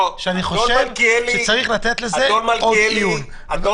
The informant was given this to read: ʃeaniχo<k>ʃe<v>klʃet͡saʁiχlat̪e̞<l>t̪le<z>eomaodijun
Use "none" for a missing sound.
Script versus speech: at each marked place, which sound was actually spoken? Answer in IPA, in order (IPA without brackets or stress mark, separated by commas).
none, v, none, z